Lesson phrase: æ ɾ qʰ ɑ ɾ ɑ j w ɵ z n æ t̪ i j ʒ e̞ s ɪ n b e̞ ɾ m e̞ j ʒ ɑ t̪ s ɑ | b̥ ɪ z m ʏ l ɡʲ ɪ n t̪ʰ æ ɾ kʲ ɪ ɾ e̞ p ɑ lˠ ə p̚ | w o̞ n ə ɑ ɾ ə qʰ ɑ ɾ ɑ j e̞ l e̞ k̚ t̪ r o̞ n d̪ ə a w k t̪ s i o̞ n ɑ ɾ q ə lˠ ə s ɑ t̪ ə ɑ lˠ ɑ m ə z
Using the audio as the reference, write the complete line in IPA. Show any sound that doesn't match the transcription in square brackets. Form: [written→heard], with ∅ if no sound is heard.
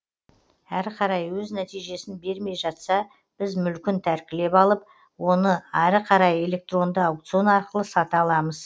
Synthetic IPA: æ ɾ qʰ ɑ ɾ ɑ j w ɵ z n æ t̪ i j ʒ e̞ s ɪ n b e̞ ɾ m e̞ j ʒ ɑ t̪ s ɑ | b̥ ɪ z m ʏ l [ɡʲ→kʲ] ɪ n t̪ʰ æ ɾ kʲ ɪ [ɾ→l] e̞ p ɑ lˠ ə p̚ | w o̞ n ə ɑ ɾ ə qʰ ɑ ɾ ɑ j e̞ l e̞ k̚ t̪ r o̞ n d̪ ə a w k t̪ s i o̞ n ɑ ɾ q ə lˠ ə s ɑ t̪ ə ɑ lˠ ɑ m ə z